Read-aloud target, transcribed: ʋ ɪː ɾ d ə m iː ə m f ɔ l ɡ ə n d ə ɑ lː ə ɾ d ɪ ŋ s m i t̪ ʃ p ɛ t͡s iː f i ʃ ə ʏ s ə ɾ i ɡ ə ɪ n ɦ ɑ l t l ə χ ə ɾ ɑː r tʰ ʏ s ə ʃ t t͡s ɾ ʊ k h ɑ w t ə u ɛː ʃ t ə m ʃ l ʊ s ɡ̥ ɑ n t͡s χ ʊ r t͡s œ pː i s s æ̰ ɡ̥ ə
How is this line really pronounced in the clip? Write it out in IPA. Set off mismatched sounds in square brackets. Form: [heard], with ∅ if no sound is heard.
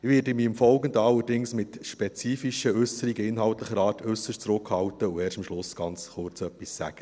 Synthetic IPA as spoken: ʋ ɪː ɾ d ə m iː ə m f ɔ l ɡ ə n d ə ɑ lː ə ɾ d ɪ ŋ s m [ɪ] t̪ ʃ p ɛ t͡s iː f i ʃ ə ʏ s ə ɾ i ɡ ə ɪ n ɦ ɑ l t l ə χ ə ɾ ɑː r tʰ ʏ s ə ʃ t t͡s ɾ ʊ k h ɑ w t ə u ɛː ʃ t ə m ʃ l ʊ s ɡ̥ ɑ n t͡s χ ʊ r t͡s œ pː i s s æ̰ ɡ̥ ə